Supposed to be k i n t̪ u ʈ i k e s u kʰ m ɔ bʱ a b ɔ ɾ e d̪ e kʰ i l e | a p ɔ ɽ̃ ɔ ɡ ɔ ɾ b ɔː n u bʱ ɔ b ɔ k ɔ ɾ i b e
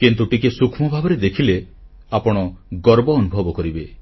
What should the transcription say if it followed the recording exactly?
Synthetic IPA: k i n t̪ u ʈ i k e s u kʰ m ɔ bʱ a b ɔ ɾ e d̪ e kʰ i l e | a p ɔ ɽ̃ ɔ ɡ ɔ ɾ b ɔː n u bʱ ɔ b ɔ k ɔ ɾ i b e